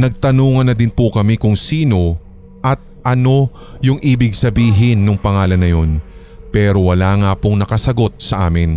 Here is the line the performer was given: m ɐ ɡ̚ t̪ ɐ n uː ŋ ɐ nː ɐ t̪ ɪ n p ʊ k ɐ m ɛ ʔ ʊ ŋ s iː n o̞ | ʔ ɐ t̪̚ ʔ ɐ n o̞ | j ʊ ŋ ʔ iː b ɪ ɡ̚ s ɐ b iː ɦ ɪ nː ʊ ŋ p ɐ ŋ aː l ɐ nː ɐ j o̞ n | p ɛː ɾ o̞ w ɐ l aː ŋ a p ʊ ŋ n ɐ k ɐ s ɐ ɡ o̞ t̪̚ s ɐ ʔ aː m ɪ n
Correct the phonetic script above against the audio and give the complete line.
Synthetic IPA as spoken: n ɐ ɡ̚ t̪ ɐ n uː ŋ ɐ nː ɐ d̪ ɪ n p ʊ k ɐ m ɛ k ʊ ŋ s iː n o̞ | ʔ ɐ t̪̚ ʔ ɐ n o̞ | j ʊ ŋ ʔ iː b ɪ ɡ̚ s ɐ b iː ɦ ɪ nː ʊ ŋ p ɐ ŋ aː l ɐ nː ɐ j o̞ n | p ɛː ɾ o̞ w ɐ l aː ŋ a p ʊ ŋ n ɐ k ɐ s ɐ ɡ o̞ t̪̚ s ɐ ʔ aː m ɪ n